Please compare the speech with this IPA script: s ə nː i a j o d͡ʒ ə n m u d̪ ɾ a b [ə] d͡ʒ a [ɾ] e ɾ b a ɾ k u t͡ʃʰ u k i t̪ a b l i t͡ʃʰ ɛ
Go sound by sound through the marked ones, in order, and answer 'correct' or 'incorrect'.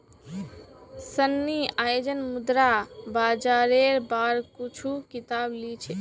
incorrect, correct

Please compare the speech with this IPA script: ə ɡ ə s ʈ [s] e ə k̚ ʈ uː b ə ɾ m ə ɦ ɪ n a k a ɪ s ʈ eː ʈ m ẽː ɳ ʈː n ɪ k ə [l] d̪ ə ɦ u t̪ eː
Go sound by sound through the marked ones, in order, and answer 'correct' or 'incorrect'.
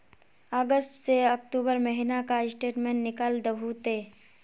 correct, correct

